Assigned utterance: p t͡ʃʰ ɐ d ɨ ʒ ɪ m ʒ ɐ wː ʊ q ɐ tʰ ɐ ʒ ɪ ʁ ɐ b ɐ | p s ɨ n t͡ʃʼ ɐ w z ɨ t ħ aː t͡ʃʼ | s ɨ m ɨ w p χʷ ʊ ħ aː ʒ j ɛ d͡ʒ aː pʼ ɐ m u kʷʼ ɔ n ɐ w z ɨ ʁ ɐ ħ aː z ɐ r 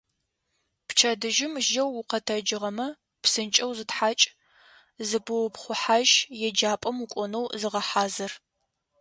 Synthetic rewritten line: p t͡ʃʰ ɐ d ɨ ʒ ɪ m ʒ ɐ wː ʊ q ɐ tʰ ɐ d͡ʒ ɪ ʁ ɐ m ɐ | p s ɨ n t͡ʃʼ ɐ w z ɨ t ħ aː t͡ʃʼ | z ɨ b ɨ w p χʷ ʊ ħ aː ʒ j ɛ d͡ʒ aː pʼ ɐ m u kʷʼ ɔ n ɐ w z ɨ ʁ ɐ ħ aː z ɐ r